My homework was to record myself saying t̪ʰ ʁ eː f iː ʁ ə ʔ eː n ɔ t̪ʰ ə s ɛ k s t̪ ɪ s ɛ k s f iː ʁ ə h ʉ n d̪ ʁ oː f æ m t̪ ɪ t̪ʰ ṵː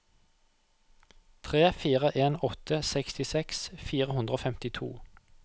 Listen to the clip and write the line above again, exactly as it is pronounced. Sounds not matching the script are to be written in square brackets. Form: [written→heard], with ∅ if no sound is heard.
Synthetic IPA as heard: t̪ʰ ʁ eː f iː ʁ ə ʔ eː n ɔ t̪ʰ ə s ɛ k s t̪ ɪ s ɛ k s f iː ʁ ə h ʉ n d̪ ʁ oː f [æ→ɛ] m t̪ ɪ t̪ʰ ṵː